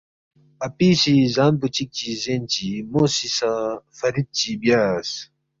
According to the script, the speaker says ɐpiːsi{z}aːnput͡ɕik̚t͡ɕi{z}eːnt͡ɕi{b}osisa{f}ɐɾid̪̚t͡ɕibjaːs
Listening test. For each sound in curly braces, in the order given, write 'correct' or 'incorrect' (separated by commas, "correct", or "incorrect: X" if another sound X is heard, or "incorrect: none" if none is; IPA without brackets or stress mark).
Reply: correct, correct, incorrect: m, correct